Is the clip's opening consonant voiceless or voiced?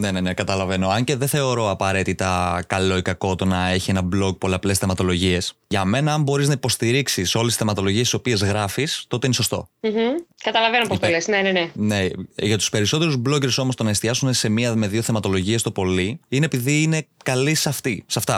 voiced